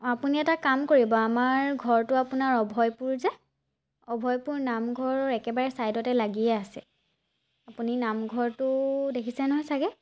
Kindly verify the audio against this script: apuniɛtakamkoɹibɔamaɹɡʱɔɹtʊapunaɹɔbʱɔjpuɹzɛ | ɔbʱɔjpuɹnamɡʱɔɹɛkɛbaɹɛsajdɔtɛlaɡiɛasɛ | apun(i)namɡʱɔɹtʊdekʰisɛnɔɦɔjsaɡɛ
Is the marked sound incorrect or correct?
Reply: correct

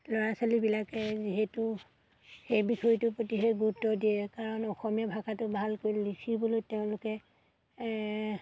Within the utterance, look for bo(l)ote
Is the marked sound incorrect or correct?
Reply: correct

